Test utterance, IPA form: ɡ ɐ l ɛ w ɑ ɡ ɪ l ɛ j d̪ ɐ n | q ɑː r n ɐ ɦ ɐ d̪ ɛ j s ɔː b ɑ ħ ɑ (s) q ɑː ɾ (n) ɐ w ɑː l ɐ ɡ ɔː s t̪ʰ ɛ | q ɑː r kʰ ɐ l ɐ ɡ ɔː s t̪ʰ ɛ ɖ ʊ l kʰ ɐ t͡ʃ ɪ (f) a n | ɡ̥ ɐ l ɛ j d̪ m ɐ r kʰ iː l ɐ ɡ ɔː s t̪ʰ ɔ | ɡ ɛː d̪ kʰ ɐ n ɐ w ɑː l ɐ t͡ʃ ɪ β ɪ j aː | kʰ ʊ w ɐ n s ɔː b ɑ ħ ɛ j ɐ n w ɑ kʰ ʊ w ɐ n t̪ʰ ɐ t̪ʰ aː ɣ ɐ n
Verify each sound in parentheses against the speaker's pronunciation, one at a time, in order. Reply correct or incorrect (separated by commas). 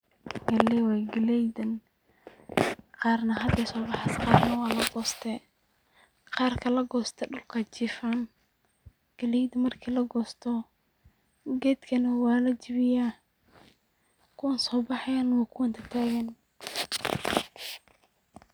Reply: correct, correct, correct